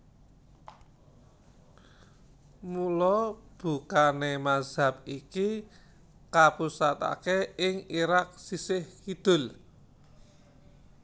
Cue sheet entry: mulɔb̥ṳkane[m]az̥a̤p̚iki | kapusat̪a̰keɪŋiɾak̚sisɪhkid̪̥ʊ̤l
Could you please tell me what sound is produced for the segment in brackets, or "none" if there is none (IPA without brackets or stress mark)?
m